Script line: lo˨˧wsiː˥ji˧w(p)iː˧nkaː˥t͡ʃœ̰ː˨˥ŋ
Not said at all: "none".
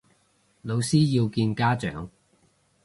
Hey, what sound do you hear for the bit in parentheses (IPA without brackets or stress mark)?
k